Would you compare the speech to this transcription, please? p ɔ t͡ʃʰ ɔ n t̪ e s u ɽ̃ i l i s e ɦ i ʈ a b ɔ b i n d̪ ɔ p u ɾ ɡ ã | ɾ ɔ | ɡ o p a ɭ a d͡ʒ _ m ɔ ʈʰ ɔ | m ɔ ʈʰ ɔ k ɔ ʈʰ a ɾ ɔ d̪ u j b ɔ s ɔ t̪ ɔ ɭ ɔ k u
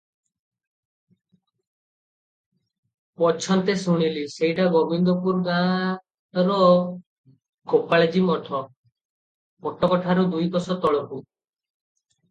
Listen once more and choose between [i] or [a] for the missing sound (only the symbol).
i